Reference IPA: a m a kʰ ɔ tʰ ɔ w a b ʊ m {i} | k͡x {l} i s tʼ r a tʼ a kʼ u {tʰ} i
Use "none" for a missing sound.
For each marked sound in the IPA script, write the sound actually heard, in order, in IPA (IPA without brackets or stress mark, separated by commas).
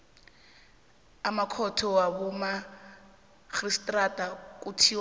a, r, tʰ